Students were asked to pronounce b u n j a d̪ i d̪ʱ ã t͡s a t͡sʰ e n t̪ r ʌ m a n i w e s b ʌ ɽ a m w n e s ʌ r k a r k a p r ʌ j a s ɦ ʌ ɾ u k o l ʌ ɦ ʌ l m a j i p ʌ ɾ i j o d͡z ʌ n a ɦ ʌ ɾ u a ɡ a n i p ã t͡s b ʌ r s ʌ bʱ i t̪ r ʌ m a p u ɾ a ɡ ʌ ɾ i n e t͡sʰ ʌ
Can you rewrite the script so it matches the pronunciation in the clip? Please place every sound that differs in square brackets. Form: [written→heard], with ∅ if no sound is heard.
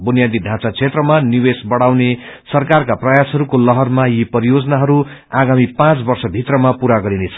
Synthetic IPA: b u n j a d̪ i d̪ʱ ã t͡s a t͡sʰ e [n→∅] t̪ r ʌ m a n i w e s b ʌ ɽ a [m→∅] w n e s ʌ r k a r k a p r ʌ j a s ɦ ʌ ɾ u k o l ʌ ɦ ʌ [l→r] m a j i p ʌ ɾ i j o d͡z ʌ n a ɦ ʌ ɾ u a ɡ a [n→m] i p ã t͡s b ʌ r s ʌ bʱ i t̪ r ʌ m a p u ɾ a ɡ ʌ ɾ i n e t͡sʰ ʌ